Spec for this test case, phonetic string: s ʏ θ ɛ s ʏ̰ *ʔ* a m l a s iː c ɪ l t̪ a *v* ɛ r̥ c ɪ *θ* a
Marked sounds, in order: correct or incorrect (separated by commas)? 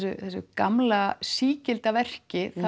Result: incorrect, correct, correct